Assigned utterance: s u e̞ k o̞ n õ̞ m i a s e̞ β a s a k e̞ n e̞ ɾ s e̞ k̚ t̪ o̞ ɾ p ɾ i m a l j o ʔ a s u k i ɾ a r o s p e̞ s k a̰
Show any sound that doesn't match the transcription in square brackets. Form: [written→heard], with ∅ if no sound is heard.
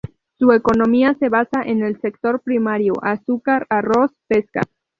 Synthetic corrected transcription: s u e̞ k o̞ n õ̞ m i a s e̞ β a s a [k→ʔ] e̞ n e̞ [ɾ→l] s e̞ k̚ t̪ o̞ ɾ p ɾ i m a [l→ɾ] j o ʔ a s u k [i→a] ɾ a r o s p e̞ s k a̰